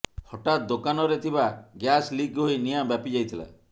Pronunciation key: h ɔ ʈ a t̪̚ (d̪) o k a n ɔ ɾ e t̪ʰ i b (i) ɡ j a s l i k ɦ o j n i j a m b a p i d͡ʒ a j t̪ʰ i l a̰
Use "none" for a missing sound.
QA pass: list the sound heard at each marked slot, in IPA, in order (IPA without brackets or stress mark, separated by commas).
d̪, a